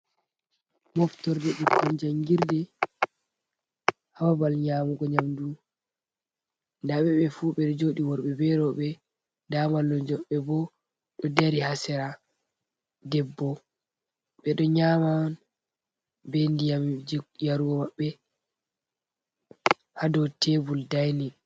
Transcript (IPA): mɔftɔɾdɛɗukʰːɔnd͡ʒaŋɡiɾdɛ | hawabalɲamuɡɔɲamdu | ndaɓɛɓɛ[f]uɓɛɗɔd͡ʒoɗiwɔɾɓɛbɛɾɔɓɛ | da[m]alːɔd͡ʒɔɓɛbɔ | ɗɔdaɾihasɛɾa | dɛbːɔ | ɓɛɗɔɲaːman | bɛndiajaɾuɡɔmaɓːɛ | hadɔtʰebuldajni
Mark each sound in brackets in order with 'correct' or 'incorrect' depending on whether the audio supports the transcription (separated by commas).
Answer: correct, correct